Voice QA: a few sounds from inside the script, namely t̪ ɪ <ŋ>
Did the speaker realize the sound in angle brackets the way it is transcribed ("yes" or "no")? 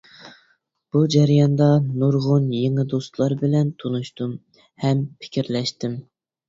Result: no